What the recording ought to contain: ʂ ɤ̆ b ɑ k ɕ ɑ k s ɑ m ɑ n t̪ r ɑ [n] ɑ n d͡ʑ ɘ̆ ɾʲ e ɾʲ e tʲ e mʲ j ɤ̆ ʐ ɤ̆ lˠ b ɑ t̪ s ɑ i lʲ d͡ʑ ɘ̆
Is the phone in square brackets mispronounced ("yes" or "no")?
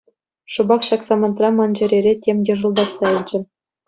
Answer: yes